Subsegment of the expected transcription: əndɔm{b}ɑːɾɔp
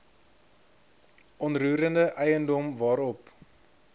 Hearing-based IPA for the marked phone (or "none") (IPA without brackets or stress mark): v